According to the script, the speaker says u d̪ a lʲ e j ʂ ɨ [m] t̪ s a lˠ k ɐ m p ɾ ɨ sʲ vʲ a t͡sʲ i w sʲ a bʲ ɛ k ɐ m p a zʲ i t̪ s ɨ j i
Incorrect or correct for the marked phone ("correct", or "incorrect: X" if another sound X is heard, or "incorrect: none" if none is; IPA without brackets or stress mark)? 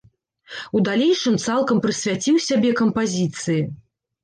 correct